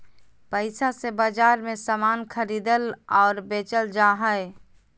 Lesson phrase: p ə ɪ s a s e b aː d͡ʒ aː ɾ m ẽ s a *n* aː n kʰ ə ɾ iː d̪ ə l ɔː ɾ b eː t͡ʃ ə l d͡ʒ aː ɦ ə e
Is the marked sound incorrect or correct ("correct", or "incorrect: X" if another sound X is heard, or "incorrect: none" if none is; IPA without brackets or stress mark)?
incorrect: m